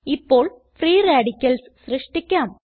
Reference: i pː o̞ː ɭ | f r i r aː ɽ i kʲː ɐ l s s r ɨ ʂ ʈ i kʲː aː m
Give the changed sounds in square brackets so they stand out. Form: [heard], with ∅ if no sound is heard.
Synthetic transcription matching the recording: i pː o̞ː ɭ | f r [iː] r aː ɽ i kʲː ɐ l s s r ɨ ʂ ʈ i kʲː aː m